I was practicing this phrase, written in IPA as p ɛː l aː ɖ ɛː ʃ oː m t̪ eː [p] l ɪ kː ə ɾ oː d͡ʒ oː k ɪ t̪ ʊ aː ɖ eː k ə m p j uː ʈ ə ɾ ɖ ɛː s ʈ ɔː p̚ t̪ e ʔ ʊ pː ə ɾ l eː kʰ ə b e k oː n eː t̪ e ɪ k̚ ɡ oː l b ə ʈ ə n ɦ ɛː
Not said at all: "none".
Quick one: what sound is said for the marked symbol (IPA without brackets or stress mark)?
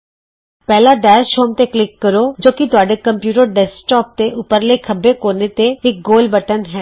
k